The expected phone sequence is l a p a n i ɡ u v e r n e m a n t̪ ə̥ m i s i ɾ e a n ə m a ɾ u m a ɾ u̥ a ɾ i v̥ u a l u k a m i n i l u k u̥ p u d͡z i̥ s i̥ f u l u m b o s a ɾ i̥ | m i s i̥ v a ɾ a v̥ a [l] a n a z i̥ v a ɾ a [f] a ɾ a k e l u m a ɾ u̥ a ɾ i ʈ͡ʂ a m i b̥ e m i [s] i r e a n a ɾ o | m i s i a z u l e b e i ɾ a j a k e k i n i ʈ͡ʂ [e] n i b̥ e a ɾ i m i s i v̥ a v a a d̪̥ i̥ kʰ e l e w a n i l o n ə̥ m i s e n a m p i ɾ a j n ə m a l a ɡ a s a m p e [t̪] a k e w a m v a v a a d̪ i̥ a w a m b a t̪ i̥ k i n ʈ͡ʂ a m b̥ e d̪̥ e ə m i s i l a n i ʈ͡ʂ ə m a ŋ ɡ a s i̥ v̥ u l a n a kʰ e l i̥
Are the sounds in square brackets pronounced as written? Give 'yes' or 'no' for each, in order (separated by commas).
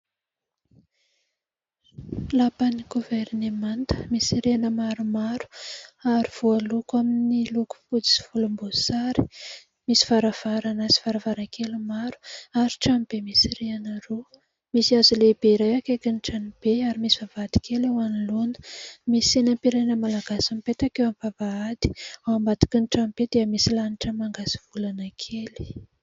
no, no, yes, no, yes